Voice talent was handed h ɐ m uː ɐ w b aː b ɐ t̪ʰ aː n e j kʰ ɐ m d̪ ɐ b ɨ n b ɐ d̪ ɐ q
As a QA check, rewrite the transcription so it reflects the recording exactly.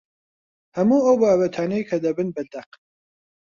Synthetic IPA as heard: h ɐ m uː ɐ w b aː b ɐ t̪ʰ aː n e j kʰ ɐ d̪ ɐ b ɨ n b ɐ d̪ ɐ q